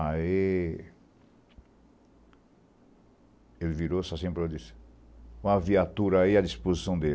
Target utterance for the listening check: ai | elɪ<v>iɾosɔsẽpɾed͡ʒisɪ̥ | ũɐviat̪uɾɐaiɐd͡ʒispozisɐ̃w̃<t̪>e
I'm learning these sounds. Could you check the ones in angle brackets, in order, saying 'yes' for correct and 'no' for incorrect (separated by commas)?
yes, no